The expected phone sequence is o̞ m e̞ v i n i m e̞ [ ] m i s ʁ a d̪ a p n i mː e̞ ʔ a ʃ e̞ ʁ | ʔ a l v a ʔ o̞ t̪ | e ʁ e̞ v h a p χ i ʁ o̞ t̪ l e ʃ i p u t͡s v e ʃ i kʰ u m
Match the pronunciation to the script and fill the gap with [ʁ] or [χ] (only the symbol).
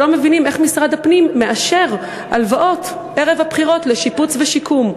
χ